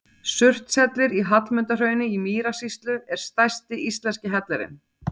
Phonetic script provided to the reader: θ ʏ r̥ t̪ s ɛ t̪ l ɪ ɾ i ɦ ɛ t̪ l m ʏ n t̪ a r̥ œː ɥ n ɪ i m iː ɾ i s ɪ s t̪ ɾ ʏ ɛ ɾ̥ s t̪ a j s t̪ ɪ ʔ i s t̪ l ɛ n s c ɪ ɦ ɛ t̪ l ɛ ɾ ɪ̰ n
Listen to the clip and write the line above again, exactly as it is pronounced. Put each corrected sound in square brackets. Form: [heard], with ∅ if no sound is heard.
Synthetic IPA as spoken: [s] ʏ r̥ t̪ s ɛ t̪ l ɪ ɾ i ɦ [a] t̪ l m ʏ n t̪ a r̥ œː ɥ n ɪ i m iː ɾ [a] s [i] s t̪ [l] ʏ ɛ ɾ̥ s t̪ a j s t̪ ɪ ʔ i s t̪ l ɛ n s c ɪ ɦ ɛ t̪ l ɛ ɾ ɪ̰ n